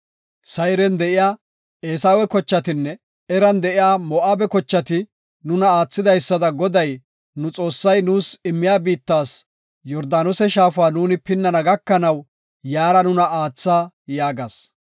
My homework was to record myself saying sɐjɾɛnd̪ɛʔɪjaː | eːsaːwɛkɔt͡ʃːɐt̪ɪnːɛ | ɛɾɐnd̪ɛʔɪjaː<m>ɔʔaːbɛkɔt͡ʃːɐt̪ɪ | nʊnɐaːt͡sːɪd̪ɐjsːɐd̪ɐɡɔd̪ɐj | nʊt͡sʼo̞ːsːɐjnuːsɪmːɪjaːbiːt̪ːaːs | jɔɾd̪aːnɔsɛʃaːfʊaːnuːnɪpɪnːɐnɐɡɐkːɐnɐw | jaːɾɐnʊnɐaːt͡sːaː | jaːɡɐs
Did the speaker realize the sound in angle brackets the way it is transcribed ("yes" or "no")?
yes